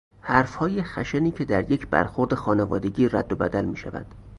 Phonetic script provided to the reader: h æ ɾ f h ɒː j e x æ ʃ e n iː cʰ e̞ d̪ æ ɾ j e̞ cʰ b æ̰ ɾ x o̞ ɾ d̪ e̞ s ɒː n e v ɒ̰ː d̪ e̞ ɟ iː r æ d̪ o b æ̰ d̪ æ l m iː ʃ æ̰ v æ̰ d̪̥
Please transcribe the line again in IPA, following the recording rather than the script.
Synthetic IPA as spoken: h æ ɾ f h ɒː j e x æ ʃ e n iː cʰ e̞ d̪ æ ɾ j e̞ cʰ b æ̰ ɾ x o̞ ɾ d̪ e̞ x ɒː n e v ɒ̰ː d̪ e̞ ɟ iː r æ d̪ː o b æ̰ d̪ æ l m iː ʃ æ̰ v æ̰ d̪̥